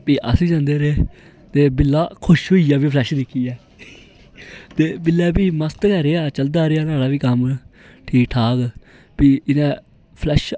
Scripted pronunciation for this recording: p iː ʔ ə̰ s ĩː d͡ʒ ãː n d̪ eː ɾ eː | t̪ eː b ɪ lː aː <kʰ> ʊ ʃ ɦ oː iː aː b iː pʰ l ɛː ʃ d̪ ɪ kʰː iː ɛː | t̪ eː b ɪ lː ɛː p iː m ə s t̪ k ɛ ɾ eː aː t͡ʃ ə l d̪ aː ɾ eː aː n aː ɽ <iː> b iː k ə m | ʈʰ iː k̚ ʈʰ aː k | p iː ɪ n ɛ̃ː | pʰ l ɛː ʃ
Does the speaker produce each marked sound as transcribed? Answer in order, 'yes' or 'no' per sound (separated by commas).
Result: yes, no